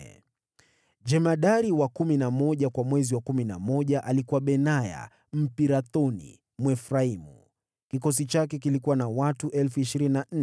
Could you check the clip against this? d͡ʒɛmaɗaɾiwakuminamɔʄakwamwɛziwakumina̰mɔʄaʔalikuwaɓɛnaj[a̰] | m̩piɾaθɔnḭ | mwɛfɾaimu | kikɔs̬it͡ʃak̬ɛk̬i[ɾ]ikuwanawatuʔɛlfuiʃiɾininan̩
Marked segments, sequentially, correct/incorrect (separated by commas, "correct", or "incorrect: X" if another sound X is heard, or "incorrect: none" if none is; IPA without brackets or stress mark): correct, incorrect: l